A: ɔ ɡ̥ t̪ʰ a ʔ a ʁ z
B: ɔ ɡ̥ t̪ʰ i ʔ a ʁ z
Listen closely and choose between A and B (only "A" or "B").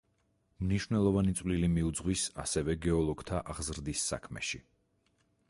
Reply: A